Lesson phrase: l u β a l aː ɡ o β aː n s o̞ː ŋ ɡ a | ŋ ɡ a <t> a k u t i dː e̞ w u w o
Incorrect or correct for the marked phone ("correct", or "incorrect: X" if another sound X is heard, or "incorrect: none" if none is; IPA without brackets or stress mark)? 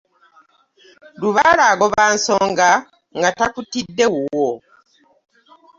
correct